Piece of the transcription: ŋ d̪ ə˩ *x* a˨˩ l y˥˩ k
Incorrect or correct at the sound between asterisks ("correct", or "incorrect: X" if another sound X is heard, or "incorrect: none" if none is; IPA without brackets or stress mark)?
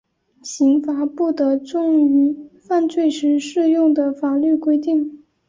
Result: incorrect: f